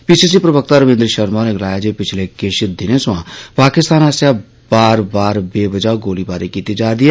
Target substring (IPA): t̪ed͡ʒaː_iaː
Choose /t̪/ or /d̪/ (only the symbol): d̪